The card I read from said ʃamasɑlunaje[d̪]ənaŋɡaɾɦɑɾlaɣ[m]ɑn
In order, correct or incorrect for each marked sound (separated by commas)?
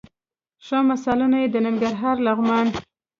correct, correct